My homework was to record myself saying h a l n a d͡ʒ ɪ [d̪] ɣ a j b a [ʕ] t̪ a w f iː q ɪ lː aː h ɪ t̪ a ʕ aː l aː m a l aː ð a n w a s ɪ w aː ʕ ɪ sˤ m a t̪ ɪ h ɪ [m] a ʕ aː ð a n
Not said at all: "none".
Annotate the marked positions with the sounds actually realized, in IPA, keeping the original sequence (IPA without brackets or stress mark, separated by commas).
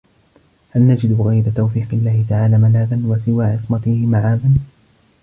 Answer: d̪, none, m